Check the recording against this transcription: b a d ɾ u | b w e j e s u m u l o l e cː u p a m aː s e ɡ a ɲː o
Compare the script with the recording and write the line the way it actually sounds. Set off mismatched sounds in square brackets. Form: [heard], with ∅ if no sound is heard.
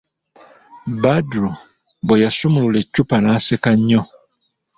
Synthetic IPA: b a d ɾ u | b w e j [a] s u m u l [u] l e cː u p a [n] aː s e [k] a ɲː o